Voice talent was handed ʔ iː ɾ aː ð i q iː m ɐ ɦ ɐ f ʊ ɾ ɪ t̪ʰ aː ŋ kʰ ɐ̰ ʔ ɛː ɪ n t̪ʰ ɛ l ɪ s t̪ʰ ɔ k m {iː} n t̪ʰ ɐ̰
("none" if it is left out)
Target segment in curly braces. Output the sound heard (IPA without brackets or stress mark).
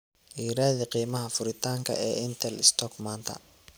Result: aː